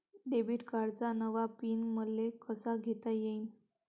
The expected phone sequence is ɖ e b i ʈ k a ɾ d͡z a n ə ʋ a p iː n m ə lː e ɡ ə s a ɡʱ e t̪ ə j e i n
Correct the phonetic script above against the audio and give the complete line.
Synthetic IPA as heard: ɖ e b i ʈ k a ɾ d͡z a n ə ʋ a p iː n m ə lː e k ə s a ɡʱ e t̪ a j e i n